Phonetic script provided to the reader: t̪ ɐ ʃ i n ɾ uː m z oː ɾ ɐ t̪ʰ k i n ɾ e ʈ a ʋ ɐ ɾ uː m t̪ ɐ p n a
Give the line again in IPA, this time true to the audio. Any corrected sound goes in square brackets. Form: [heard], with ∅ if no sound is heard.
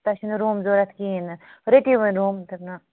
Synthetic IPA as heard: t̪ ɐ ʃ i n ɾ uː m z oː ɾ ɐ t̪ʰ k i n ɾ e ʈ [i] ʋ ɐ ɾ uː m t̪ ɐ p n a